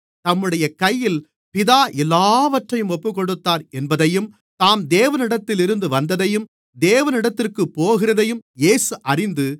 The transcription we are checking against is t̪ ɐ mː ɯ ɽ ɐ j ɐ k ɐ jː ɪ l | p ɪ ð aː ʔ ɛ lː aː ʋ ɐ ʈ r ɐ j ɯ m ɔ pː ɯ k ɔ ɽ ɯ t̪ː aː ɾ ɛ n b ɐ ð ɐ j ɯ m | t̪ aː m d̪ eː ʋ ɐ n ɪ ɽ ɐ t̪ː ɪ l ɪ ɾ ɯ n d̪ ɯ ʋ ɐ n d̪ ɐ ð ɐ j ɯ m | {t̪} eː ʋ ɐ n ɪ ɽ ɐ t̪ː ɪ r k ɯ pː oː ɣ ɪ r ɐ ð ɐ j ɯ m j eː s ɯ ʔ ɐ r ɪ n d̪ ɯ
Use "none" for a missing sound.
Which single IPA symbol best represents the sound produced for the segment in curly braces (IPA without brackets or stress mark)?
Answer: d̪